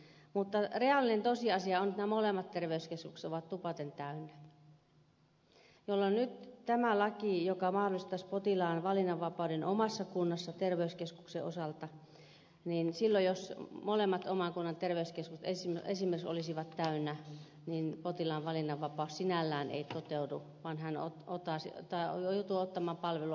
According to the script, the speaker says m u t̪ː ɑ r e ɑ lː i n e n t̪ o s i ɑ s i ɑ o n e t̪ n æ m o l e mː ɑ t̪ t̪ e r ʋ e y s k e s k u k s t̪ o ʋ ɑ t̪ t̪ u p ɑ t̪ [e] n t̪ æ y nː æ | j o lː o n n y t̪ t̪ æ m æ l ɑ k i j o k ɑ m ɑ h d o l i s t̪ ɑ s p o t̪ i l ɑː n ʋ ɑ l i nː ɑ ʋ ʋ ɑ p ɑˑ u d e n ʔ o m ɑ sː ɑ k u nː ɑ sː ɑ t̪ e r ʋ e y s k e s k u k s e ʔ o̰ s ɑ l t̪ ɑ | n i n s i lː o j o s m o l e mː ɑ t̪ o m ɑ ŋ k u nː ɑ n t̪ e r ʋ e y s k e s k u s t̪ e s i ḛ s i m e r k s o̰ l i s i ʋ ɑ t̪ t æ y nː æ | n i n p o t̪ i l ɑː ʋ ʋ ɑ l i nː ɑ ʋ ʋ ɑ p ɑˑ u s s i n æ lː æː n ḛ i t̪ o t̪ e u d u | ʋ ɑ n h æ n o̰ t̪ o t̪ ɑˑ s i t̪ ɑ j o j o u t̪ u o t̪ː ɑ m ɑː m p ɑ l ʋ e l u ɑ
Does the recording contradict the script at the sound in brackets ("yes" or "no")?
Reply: no